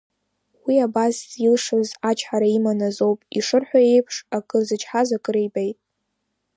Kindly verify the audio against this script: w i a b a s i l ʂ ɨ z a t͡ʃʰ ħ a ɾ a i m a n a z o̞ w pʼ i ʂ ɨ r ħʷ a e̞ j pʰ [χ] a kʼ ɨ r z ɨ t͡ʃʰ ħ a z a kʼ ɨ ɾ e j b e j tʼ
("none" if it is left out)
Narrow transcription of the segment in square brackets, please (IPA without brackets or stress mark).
ʂ